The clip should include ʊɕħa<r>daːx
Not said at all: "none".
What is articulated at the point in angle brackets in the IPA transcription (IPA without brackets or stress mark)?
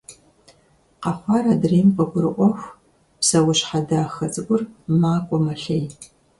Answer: none